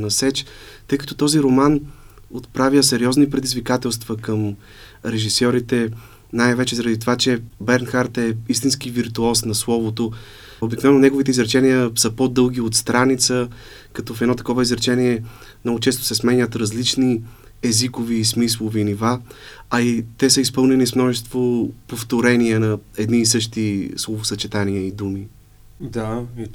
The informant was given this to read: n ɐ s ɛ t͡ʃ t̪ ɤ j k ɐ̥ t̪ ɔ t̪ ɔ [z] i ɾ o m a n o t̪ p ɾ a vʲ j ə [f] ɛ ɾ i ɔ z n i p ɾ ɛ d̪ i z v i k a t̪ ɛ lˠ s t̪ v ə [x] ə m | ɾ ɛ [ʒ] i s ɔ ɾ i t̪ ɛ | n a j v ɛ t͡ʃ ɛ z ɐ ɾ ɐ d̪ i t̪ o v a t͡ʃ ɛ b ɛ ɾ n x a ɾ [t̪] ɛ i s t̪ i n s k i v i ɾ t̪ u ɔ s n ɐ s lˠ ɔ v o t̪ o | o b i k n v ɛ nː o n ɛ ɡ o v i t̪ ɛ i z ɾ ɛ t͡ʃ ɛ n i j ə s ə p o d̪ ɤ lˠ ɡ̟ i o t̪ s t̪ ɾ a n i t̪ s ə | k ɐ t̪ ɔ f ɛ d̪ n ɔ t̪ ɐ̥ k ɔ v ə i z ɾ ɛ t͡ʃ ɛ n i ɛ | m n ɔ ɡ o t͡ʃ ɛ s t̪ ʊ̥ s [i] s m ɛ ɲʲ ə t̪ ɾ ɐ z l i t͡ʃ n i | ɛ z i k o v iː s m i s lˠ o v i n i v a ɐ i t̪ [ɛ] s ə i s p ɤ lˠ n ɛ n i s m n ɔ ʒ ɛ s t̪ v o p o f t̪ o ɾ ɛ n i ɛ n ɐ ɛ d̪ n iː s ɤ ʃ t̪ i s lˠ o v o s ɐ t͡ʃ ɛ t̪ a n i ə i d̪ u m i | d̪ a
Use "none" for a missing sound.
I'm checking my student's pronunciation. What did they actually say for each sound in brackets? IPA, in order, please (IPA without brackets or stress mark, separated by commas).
z, s, k, ʒ, t̪, ɛ, ɛ